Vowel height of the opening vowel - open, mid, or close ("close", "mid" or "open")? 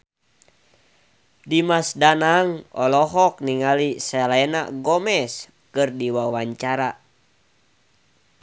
close